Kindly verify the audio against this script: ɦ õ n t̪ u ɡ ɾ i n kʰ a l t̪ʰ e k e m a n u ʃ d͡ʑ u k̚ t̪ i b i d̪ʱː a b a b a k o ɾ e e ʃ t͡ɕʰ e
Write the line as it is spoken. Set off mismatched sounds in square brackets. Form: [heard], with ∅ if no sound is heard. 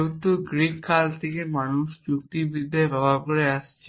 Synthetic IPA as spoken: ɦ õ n t̪ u ɡ ɾ i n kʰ a l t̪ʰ e k e m a n u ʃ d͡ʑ u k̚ t̪ i b i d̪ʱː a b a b a k o ɾ e [a] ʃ t͡ɕʰ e